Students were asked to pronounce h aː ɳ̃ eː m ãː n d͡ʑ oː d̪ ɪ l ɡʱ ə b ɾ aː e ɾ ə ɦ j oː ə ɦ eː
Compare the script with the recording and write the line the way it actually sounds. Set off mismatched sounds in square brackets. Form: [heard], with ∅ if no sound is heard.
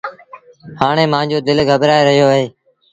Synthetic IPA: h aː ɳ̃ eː m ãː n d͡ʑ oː d̪ ɪ l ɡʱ ə b ɾ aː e ɾ ə ɦ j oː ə ɦ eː